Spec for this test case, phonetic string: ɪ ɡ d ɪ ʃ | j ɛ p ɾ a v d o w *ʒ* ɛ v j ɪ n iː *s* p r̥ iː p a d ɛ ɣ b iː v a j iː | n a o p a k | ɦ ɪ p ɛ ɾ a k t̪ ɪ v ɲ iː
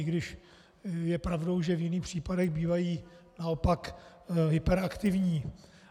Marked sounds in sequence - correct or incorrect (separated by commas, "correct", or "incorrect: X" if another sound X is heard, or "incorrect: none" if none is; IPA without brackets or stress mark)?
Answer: correct, incorrect: x